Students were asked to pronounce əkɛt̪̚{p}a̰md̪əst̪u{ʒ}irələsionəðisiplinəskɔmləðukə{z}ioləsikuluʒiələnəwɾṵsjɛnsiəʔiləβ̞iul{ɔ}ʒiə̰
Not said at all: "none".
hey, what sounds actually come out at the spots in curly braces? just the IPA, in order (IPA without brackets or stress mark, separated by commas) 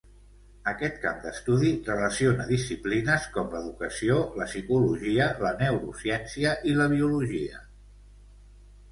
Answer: k, ð, s, u